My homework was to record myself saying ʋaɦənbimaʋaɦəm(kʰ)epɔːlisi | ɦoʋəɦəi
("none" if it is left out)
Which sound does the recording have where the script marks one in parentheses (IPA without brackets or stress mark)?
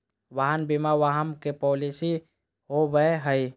k